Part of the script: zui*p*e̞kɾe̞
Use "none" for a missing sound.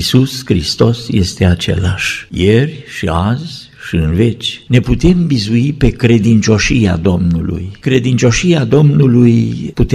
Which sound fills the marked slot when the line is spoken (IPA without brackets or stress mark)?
p